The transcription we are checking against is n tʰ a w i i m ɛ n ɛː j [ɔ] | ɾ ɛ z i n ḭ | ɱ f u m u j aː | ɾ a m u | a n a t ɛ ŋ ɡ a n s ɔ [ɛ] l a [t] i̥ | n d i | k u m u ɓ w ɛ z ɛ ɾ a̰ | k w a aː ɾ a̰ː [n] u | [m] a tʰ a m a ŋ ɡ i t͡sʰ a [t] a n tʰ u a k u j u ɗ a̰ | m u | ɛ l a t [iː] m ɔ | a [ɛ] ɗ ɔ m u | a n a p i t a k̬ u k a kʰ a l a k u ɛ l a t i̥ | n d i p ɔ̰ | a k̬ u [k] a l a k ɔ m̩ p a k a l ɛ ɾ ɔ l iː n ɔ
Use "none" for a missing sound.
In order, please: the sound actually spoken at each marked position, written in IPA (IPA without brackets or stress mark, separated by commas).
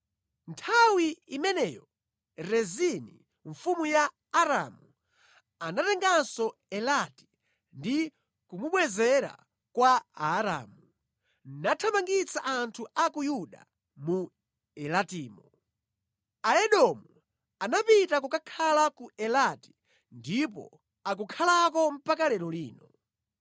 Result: ɔ, ɛ, t, m, n, ʔ, iː, ɛ, kʰ